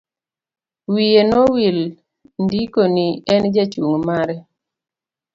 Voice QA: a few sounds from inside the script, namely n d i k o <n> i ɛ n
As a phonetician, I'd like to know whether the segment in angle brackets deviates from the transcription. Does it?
no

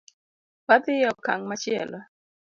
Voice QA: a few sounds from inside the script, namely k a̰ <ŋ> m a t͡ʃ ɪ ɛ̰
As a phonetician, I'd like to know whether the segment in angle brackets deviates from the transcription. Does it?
no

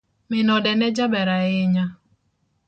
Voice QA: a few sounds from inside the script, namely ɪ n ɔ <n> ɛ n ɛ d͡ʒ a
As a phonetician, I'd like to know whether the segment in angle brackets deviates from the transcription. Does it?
yes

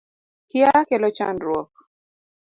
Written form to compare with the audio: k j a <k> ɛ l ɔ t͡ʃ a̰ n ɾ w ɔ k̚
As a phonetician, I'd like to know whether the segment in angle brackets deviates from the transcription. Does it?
no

